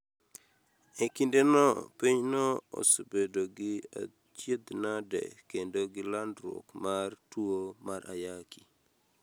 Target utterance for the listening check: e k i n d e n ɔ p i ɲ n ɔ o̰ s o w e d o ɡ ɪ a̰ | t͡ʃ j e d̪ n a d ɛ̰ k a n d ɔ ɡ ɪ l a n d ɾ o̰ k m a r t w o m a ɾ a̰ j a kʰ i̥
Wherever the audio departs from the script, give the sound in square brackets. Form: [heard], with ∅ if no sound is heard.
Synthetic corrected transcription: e k i n d e n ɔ p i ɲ n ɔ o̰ s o [b] e d o ɡ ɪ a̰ | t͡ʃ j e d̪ n a d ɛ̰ k [e] n d [o] ɡ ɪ l a n d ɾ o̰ k m a r t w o m a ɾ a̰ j a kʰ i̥